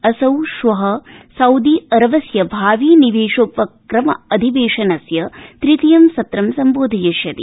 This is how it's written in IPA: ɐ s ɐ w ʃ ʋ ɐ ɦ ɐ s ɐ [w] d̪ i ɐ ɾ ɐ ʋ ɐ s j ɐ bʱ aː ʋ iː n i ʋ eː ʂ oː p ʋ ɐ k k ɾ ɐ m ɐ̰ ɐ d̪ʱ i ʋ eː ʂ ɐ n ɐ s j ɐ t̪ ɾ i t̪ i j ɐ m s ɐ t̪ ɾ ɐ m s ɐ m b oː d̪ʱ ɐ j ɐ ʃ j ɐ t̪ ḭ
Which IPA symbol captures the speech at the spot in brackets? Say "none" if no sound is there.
w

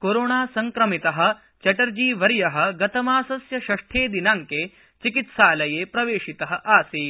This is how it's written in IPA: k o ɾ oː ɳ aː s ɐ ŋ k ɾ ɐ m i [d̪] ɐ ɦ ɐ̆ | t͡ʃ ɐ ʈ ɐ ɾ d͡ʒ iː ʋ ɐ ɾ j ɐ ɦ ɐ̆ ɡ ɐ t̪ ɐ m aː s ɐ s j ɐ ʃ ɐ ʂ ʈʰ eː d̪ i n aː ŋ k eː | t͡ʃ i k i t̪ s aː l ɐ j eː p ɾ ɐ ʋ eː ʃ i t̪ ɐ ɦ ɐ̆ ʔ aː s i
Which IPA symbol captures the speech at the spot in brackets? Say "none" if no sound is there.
t̪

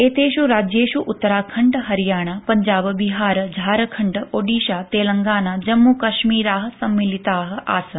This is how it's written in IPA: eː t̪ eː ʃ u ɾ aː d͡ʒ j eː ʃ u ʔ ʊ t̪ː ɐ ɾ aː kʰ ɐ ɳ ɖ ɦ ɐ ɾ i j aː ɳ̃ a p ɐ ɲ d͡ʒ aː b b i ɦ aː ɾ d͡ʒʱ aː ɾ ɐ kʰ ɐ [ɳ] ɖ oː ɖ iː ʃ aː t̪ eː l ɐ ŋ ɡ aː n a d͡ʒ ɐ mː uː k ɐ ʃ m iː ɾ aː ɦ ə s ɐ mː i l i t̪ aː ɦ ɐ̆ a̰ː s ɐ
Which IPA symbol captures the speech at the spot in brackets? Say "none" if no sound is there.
ɳ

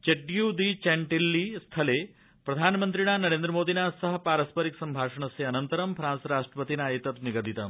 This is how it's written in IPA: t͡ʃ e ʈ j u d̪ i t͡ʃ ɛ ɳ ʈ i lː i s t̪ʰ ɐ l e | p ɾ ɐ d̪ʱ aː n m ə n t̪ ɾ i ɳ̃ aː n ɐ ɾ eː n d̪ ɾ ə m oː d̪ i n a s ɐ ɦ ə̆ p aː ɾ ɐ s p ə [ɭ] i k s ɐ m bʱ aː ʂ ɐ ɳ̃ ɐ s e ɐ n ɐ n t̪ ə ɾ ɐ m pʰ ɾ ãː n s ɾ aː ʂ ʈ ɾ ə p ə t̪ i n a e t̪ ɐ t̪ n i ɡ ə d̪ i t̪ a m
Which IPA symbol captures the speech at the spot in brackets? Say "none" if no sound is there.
ɾ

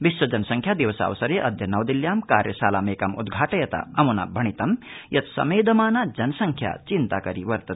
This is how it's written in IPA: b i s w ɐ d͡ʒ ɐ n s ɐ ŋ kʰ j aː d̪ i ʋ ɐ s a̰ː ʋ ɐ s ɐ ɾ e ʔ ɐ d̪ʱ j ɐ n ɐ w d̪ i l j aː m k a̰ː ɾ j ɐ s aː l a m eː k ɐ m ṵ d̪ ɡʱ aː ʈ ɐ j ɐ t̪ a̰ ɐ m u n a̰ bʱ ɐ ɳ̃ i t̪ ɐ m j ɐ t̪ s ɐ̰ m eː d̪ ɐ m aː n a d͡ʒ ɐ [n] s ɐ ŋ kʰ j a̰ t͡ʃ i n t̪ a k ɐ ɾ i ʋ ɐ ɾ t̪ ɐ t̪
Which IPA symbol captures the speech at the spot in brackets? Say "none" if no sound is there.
n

